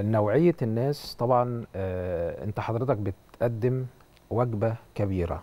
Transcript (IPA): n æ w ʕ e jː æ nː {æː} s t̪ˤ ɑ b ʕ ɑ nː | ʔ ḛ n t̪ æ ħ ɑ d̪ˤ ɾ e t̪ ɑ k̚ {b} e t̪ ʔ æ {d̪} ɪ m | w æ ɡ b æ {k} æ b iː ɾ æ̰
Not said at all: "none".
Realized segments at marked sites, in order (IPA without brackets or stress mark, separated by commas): æː, b, d̪ː, k